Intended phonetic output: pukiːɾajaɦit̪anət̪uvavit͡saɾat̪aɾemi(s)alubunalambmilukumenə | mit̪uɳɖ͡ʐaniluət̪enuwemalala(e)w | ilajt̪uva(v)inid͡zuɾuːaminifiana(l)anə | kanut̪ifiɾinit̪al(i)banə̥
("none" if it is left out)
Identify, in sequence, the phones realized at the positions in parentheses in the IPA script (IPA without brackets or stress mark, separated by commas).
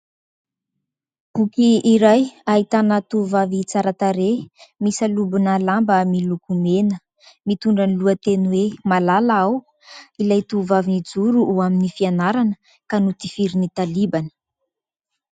s, a, v, ɾ, i